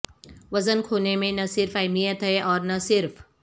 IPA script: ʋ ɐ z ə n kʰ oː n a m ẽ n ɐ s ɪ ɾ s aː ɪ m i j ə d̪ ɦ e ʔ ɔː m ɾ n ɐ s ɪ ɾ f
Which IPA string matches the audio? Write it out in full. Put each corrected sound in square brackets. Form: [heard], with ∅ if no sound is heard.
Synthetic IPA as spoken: ʋ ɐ z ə n kʰ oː n [e] m ẽ n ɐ s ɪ ɾ [f] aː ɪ m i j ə [t̪] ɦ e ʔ ɔː [∅] ɾ n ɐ s ɪ ɾ f